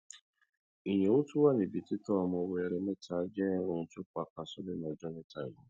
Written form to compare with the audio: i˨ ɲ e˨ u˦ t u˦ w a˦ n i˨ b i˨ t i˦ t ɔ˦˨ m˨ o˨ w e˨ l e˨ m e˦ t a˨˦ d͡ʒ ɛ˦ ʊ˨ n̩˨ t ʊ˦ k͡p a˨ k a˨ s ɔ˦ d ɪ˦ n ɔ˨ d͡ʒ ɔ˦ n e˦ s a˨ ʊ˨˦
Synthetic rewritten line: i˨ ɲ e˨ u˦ t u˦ w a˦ n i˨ b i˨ t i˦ t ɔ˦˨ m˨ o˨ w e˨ ɾ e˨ m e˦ t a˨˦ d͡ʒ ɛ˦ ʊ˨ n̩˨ t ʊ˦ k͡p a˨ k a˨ s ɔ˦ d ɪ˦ n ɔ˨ d͡ʒ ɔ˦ n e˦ t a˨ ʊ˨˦